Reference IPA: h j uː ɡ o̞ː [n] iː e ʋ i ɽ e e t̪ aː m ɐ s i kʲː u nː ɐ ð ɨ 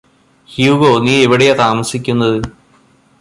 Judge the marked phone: correct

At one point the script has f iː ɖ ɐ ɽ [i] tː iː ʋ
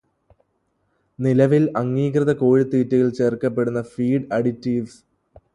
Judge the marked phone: correct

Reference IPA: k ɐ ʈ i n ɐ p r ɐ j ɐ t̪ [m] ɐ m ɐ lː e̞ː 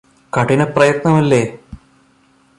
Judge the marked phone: incorrect: n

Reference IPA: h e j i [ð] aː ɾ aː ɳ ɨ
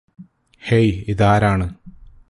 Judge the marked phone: correct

